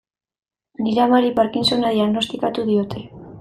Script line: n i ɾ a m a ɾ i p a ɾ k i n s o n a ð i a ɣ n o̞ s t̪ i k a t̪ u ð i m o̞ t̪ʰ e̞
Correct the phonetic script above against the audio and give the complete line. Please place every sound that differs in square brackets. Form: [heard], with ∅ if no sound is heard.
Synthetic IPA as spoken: n i ɾ a m a ɾ i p a ɾ k i n s o n a ð i a ɣ n o̞ s t̪ i k a t̪ u ð i [∅] o̞ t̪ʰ e̞

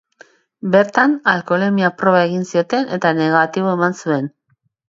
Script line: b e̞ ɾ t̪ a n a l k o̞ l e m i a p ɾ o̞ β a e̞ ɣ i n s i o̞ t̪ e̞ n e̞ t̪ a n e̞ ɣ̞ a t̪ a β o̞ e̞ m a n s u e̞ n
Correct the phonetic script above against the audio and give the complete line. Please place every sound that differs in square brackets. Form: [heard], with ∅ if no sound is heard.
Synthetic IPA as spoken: b e̞ ɾ t̪ a n a l k o̞ l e m i a p ɾ o̞ β a e̞ ɣ i n s i o̞ t̪ e̞ n e̞ t̪ a n e̞ ɣ̞ a t̪ [i] β o̞ e̞ m a n s u e̞ n

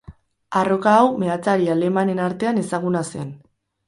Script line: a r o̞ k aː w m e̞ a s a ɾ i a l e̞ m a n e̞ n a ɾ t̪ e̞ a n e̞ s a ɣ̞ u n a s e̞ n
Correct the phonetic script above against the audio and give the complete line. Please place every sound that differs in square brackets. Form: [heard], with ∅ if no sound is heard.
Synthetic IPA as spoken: a r o̞ k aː w m e̞ a [t͡s] a ɾ i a l e̞ m a n e̞ n a ɾ t̪ e̞ a n e̞ s a ɣ̞ u n a s e̞ n

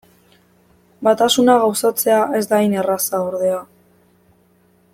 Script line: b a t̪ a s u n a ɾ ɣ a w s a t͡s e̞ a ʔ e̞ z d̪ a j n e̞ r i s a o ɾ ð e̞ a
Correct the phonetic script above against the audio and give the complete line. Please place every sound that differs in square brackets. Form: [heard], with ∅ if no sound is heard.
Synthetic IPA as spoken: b a t̪ a s u n a [∅] ɣ a w s a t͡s e̞ a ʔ e̞ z d̪ a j n e̞ r [a] s a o ɾ ð e̞ a

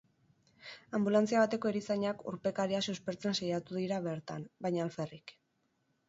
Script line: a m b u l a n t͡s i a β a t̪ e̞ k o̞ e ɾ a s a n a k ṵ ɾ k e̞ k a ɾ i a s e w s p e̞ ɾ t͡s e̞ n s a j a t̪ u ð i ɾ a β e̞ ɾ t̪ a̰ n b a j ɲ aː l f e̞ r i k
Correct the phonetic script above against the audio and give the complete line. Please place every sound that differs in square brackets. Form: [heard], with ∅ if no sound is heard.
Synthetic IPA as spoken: a m b u l a n t͡s i a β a t̪ e̞ k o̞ e ɾ [i] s a [ɲ] a k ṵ ɾ [p] e̞ k a ɾ i a s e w s p e̞ ɾ t͡s e̞ n s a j a t̪ u ð i ɾ a β e̞ ɾ t̪ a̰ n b a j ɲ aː l f e̞ r i k

